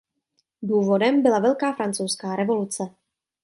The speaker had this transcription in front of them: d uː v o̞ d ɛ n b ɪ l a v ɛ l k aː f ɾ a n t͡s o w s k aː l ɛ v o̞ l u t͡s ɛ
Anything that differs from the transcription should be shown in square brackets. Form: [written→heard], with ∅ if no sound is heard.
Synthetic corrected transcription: d uː v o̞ d ɛ [n→m] b ɪ l a v ɛ l k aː f ɾ a n t͡s o w s k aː [l→ɾ] ɛ v o̞ l u t͡s ɛ